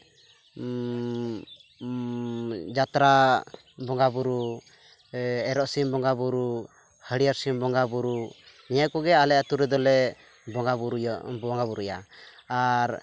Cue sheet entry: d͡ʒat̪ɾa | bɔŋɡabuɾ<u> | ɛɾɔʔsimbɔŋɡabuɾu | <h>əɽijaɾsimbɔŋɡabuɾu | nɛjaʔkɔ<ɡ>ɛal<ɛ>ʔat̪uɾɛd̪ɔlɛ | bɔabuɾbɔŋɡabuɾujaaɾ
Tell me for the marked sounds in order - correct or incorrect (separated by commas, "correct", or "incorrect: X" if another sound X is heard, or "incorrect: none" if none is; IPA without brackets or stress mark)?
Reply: correct, correct, correct, correct